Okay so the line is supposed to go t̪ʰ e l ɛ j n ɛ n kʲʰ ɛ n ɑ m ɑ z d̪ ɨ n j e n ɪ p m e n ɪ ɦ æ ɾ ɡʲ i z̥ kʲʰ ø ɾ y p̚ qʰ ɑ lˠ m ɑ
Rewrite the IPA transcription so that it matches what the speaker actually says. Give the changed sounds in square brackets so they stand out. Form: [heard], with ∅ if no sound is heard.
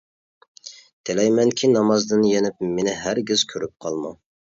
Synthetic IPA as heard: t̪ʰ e l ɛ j [m] ɛ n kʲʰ [i] n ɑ m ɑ z d̪ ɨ n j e n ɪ p m e n ɪ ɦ æ ɾ ɡʲ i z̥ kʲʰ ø ɾ y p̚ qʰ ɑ lˠ m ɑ